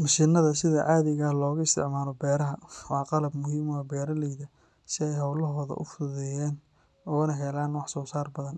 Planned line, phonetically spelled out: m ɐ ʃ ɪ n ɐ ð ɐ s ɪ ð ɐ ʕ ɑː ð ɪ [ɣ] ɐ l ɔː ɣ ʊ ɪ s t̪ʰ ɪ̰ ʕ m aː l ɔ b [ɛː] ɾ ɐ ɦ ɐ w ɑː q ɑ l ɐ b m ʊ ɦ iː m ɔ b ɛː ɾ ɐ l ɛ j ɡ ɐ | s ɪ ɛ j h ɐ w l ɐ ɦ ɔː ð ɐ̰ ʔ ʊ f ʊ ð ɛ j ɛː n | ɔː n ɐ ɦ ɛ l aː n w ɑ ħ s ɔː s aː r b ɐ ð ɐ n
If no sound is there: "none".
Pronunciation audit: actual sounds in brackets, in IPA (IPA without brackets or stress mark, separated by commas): ɣ, ɛː